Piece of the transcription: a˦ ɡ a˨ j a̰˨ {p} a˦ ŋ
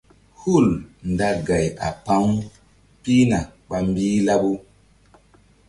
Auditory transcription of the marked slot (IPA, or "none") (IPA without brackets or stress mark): p